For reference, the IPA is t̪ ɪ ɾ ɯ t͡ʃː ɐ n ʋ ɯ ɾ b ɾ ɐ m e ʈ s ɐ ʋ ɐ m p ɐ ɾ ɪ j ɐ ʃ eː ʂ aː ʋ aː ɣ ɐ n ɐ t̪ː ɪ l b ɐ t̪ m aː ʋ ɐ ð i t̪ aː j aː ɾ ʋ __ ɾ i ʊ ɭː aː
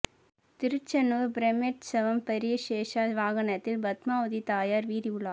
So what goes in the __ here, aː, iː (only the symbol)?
iː